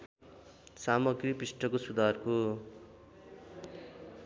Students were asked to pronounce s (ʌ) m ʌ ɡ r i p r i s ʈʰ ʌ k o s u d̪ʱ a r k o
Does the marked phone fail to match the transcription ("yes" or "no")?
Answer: yes